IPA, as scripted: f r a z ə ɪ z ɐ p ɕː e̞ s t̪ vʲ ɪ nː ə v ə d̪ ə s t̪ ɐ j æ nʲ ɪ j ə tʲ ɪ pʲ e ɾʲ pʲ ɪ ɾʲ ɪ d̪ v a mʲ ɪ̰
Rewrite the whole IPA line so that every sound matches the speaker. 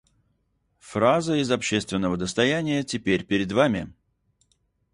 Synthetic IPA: f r a z ə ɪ z ɐ p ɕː e̞ s t̪ vʲ ɪ nː ə v ə d̪ ə s t̪ ɐ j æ nʲ ɪ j ə tʲ ɪ pʲ e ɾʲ pʲ ɪ ɾʲ ɪ d̪ v a mʲ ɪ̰